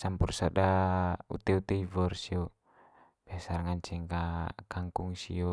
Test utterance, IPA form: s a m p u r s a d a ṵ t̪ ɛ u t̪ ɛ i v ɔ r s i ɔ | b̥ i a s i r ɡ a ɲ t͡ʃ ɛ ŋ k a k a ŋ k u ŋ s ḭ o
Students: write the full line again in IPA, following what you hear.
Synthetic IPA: s a m p u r s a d a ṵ t̪ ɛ u t̪ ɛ i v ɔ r s i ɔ | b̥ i a s a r ŋ a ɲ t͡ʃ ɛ ŋ k a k a ŋ k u ŋ s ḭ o

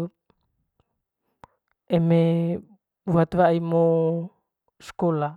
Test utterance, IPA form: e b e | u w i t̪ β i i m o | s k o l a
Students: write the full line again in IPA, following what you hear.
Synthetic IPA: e m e | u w a t̪ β a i m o | s k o l a

